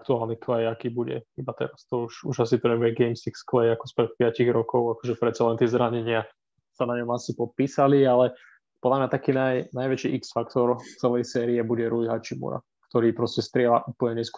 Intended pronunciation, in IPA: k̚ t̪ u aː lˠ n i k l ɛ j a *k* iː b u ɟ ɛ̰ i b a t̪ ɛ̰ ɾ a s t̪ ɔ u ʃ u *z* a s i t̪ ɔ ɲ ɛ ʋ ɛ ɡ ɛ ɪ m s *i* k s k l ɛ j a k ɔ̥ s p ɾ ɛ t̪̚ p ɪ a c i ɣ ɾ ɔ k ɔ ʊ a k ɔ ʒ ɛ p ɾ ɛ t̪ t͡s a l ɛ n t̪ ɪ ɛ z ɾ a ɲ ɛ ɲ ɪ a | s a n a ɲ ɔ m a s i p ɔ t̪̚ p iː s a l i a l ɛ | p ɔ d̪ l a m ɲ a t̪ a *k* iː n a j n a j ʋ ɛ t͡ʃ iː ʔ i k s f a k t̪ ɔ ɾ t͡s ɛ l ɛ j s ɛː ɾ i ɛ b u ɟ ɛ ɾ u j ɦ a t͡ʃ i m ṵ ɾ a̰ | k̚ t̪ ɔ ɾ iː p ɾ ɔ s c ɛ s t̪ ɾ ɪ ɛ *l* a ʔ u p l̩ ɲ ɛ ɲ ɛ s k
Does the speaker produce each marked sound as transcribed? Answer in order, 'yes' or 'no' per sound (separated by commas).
yes, no, yes, yes, yes